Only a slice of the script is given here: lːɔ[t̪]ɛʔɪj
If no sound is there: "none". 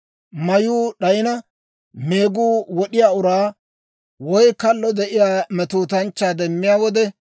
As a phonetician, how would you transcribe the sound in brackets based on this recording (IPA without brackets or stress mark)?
d̪